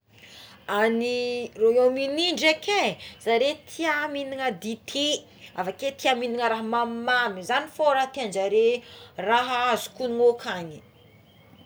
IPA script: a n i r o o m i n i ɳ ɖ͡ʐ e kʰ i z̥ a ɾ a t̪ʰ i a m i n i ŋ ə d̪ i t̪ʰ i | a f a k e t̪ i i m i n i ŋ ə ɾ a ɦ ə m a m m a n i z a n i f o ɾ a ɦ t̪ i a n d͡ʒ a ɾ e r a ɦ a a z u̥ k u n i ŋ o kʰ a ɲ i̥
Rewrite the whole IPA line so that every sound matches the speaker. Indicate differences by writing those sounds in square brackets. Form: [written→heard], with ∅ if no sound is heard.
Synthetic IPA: a n i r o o m i n i ɳ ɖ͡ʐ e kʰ [i→e] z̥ a ɾ [a→e] t̪ʰ i a m i n i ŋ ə d̪ i t̪ʰ i | a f a k e t̪ i [i→a] m i n i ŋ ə ɾ a ɦ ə m a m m a [n→m] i z a n i f o ɾ a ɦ t̪ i a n d͡ʒ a ɾ e r a ɦ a a z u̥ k u n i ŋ o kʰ a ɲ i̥